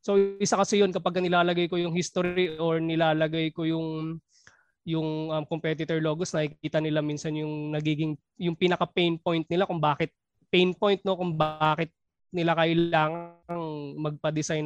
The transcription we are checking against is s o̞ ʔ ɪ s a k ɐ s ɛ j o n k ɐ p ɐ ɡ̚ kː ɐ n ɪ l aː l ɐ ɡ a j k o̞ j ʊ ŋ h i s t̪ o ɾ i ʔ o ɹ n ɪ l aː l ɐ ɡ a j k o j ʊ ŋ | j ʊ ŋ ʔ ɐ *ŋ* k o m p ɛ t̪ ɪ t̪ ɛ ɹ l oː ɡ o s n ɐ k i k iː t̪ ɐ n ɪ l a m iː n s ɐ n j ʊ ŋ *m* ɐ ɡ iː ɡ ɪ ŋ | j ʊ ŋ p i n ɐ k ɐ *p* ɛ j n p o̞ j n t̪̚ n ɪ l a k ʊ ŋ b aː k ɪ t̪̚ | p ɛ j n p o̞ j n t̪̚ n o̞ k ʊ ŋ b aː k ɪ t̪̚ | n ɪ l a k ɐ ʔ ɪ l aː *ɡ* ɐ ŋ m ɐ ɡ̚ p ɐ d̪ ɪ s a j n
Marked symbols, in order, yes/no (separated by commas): no, no, yes, no